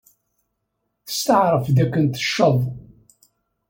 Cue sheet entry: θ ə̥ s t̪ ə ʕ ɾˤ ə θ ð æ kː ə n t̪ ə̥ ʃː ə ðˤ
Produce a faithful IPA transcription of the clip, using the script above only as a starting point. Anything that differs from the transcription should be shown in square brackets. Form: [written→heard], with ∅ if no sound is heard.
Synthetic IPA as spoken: θ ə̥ s t̪ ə ʕ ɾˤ ə [θ→f] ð æ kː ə n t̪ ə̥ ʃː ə ðˤ